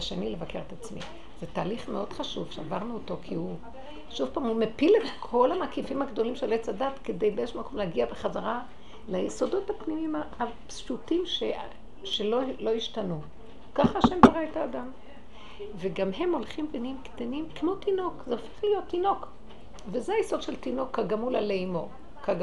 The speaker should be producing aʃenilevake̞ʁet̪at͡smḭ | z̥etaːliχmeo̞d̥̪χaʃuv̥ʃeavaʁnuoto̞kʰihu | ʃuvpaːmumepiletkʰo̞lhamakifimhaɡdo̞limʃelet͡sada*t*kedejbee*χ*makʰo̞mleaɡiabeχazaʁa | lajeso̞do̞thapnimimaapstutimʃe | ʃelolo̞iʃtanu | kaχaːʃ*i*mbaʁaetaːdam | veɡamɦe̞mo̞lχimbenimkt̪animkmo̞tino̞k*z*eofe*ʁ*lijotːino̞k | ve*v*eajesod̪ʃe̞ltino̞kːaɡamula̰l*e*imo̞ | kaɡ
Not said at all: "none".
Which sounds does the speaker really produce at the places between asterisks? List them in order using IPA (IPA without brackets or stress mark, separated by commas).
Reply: t, ʃ, e, z, χ, z, e